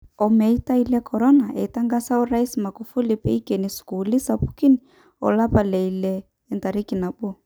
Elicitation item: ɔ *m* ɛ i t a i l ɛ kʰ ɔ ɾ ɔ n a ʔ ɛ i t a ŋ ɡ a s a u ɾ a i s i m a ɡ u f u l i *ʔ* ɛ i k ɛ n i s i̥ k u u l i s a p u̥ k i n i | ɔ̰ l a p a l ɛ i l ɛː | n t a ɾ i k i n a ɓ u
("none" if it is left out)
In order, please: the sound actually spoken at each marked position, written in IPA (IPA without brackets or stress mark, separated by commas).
m, p